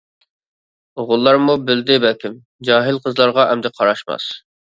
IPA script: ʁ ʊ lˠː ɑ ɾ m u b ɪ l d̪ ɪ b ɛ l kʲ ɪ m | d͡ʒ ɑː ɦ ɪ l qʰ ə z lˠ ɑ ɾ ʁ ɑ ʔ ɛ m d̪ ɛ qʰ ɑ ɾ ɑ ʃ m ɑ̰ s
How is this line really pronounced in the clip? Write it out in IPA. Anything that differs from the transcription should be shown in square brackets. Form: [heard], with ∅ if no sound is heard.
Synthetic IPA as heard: ʁ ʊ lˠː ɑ ɾ m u b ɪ l d̪ ɪ b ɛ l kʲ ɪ m | d͡ʒ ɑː ɦ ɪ l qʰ ə z lˠ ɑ ɾ ʁ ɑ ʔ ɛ m d̪ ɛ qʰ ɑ ɾ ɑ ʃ m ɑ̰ s